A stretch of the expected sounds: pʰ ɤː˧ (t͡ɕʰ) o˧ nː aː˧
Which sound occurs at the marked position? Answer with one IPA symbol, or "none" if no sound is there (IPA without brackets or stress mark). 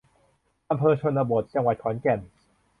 t͡ɕʰ